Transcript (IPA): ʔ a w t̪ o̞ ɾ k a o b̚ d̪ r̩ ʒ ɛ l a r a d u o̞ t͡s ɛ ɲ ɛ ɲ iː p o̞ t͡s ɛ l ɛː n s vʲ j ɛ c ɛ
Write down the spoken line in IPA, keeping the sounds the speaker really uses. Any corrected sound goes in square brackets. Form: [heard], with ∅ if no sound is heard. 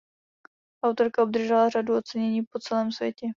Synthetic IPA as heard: ʔ a w t̪ o̞ ɾ k a o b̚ d̪ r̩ ʒ ɛ l a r a d u o̞ t͡s ɛ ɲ ɛ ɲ iː p o̞ t͡s ɛ l ɛː [m] s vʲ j ɛ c ɛ